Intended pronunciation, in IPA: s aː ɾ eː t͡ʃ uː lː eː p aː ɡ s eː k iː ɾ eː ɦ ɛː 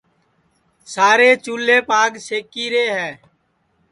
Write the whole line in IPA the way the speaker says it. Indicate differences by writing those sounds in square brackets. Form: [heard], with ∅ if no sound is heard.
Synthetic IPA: s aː ɾ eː t͡ʃ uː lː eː p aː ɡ s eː k iː ɾ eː ɦ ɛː